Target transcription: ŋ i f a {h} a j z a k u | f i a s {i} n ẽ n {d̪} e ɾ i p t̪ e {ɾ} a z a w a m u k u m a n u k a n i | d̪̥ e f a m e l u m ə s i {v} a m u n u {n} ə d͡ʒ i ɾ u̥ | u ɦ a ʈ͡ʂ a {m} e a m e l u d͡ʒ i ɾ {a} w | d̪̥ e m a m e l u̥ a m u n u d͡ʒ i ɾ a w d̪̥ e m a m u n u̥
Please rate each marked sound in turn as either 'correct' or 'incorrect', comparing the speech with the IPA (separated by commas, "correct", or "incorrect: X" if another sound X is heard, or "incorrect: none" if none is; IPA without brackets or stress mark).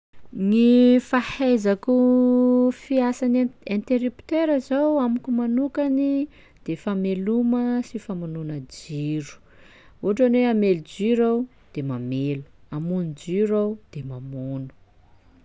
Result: correct, incorrect: a, incorrect: t̪, correct, incorrect: f, correct, incorrect: n, correct